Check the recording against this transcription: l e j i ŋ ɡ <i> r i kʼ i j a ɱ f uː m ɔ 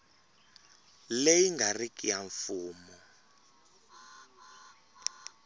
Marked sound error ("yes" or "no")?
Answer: yes